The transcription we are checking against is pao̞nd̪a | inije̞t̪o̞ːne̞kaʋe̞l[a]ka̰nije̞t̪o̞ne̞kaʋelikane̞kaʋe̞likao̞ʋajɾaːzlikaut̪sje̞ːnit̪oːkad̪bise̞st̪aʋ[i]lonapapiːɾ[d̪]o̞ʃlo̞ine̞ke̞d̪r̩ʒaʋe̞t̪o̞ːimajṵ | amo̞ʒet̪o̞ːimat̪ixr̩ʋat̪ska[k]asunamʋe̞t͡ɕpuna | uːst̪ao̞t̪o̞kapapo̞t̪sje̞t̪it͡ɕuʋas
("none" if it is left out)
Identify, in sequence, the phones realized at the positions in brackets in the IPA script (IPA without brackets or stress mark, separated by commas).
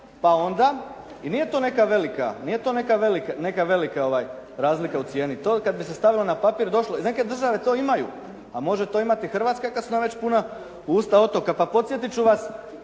i, i, d̪, k